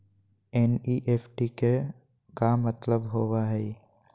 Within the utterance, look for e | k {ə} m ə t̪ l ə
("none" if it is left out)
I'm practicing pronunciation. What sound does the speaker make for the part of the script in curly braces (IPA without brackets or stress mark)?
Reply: a